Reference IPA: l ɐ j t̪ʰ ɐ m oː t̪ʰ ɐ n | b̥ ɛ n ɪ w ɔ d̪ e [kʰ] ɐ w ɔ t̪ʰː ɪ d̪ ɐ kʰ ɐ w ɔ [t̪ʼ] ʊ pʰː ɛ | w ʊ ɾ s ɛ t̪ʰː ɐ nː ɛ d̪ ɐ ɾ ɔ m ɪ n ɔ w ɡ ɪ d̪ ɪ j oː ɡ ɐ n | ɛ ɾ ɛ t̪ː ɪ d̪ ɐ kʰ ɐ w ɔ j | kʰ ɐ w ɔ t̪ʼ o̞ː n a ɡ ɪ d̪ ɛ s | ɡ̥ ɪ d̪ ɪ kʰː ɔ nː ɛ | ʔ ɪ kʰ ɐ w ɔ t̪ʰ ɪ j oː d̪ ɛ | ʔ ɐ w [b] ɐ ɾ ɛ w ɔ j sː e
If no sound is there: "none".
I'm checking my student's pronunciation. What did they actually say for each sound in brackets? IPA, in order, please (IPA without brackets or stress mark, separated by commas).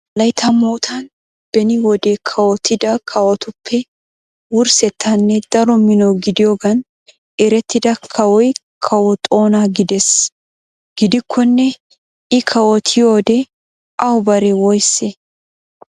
kʰ, t̪, b